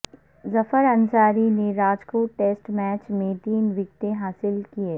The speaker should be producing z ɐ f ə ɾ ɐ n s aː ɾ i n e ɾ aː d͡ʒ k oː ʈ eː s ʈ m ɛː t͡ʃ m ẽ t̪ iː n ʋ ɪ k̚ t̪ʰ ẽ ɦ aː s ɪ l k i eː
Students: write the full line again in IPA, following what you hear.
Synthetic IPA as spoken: z ɐ f ə ɾ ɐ n s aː ɾ i n e ɾ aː d͡ʒ k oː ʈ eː s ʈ m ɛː t͡ʃ m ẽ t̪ iː n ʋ ɪ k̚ t̪ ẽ ɦ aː s ɪ l k i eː